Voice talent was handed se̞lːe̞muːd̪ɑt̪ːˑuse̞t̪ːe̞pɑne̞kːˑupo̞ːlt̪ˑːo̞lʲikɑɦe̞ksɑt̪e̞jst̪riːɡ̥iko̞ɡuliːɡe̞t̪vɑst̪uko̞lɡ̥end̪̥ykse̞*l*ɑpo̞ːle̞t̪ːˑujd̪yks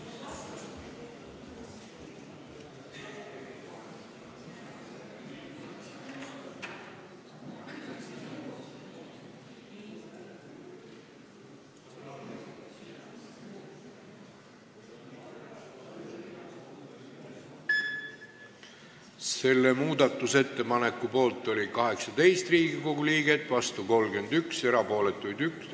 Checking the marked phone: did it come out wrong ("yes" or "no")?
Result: yes